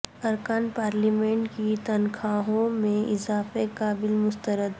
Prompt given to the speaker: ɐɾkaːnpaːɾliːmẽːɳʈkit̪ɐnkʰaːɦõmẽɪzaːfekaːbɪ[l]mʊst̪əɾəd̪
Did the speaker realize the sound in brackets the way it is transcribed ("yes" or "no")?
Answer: yes